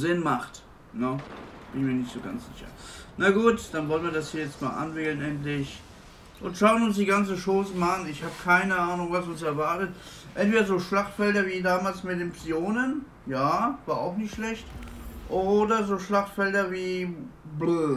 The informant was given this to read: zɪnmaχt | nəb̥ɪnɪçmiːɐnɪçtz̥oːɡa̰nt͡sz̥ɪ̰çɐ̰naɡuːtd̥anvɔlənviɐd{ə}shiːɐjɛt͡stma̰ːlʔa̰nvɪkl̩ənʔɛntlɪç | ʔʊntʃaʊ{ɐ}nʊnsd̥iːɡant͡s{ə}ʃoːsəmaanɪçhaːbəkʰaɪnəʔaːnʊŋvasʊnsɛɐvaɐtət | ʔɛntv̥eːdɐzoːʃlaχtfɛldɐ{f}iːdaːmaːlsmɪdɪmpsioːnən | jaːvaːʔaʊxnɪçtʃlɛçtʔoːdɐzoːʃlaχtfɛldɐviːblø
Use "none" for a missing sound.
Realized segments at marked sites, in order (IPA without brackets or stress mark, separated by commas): a, ə, ə, v